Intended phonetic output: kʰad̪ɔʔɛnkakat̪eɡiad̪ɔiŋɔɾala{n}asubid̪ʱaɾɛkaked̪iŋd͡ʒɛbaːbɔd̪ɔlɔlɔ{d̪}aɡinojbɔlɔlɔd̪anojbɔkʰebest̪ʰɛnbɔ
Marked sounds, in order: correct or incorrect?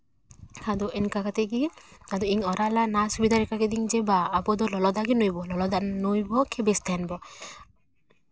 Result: correct, correct

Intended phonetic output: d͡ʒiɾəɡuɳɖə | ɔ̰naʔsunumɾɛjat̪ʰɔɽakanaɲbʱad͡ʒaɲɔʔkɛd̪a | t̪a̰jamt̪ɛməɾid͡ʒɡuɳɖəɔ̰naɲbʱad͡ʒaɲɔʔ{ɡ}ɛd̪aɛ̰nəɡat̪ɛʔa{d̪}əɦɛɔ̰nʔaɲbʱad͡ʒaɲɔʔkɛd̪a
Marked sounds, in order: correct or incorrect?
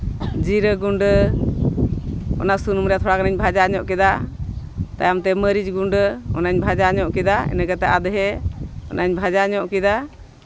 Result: incorrect, correct

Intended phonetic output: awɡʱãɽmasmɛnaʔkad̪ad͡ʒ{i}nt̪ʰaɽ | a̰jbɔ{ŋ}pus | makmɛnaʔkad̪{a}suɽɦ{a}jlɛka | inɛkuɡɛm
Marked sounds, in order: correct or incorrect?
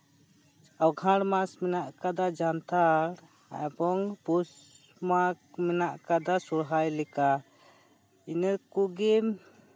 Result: incorrect, correct, correct, correct

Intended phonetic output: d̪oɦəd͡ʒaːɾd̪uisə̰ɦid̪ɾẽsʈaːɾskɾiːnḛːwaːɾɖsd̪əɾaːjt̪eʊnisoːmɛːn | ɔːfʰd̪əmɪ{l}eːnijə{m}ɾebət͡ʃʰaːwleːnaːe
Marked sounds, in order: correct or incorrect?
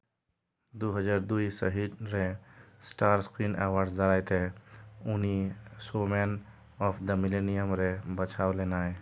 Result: correct, correct

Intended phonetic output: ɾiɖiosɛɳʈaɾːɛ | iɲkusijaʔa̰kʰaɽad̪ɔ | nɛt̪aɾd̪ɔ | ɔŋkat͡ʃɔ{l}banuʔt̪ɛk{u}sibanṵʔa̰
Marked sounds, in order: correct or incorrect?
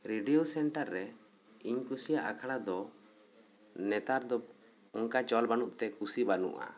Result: correct, correct

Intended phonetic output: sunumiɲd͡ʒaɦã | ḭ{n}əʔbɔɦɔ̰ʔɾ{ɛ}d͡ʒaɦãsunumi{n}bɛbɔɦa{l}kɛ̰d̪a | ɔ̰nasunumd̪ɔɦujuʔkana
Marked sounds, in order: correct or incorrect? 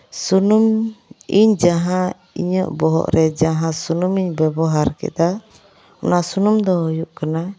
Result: incorrect, correct, incorrect, incorrect

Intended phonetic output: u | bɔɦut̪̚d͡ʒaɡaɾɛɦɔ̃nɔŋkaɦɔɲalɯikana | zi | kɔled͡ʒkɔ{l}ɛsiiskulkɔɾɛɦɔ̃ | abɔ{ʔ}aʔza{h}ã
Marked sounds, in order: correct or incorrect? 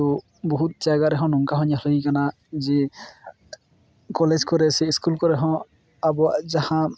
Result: incorrect, incorrect, correct

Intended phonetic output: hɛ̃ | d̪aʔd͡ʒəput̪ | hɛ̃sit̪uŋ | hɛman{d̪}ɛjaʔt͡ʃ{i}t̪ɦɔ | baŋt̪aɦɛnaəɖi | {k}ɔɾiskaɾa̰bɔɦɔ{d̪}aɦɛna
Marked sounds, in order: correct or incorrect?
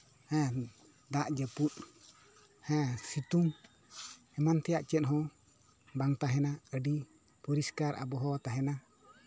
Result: incorrect, incorrect, incorrect, incorrect

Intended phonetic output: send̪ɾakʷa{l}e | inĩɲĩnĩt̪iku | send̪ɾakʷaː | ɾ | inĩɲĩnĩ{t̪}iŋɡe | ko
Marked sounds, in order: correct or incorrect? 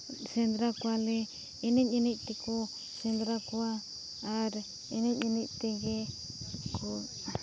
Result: correct, correct

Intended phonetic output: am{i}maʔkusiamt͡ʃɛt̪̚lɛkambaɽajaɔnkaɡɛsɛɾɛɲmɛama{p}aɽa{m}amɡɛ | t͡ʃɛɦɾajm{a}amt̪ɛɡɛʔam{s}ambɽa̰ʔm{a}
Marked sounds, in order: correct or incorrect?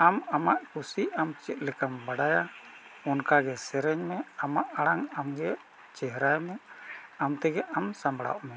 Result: incorrect, incorrect, incorrect, incorrect, correct, incorrect

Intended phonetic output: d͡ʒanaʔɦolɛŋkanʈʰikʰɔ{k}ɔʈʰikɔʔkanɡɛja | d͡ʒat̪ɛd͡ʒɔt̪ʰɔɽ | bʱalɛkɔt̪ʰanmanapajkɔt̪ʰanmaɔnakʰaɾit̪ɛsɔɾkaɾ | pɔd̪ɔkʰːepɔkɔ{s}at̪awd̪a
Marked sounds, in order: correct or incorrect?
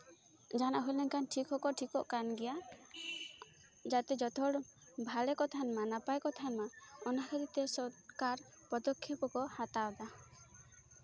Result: correct, incorrect

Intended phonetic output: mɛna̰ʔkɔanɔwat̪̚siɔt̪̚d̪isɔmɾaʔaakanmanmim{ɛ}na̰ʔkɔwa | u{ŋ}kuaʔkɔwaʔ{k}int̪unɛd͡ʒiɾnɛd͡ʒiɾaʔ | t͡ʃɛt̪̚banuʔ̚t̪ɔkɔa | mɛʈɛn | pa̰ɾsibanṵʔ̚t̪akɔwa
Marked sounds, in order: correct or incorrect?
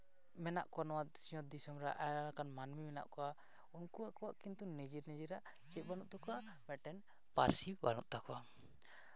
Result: correct, incorrect, correct

